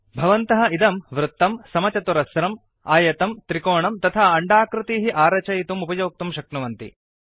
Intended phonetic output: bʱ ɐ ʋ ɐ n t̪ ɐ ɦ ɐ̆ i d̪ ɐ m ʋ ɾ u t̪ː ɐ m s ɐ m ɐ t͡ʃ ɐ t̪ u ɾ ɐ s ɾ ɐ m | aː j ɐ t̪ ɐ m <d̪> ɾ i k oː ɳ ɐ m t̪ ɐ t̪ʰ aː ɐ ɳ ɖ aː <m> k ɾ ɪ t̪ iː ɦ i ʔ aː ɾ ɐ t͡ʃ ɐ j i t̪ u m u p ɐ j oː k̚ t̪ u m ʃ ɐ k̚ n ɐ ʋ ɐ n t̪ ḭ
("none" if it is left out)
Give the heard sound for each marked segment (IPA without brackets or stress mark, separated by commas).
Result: t̪, none